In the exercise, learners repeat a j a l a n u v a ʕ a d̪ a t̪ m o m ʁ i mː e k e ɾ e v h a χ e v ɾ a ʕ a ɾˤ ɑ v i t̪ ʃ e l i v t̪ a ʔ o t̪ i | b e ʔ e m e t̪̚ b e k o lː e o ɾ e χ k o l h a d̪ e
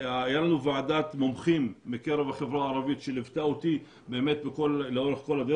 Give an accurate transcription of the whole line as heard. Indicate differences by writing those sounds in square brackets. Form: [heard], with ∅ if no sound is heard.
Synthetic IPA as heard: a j a l a n u v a ʕ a d̪ a t̪ m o m [χ] i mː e k e ɾ e v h a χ e v ɾ a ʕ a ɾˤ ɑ v i t̪ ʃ e l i v t̪ a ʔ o t̪ i | b e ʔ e m e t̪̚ b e k o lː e o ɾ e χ k o l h a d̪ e